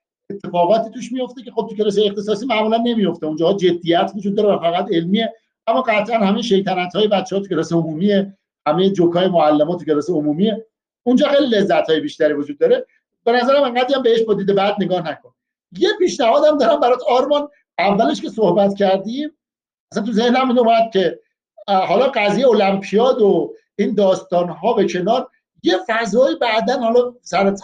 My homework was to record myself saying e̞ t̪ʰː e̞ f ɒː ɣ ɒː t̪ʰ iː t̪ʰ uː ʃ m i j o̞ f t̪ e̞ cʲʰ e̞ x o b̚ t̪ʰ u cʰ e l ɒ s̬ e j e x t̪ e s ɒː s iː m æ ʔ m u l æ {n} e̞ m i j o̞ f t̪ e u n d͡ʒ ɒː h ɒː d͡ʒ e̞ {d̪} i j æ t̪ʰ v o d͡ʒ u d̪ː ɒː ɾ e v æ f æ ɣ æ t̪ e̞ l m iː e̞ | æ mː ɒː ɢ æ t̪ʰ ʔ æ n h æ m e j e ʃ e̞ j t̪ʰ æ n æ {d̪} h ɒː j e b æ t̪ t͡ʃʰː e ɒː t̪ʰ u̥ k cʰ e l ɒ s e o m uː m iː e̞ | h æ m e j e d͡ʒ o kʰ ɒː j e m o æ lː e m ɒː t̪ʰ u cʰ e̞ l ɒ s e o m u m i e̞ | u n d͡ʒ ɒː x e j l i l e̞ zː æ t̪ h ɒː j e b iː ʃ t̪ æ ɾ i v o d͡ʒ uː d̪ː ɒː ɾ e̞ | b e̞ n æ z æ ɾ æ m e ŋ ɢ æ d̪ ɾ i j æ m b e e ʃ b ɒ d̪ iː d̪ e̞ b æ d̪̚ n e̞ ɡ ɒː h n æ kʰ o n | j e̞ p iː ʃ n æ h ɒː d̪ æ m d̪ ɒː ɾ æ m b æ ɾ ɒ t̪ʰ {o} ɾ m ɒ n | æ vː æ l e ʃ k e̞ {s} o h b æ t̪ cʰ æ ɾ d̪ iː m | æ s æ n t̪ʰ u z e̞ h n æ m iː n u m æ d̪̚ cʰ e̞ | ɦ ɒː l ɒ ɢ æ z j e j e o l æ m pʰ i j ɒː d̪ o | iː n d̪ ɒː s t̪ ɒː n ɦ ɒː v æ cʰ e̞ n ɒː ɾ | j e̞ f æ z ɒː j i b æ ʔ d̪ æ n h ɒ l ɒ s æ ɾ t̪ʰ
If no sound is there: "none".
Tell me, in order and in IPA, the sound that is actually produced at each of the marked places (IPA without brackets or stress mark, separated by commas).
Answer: nː, d̪ː, t̪, ɒ, s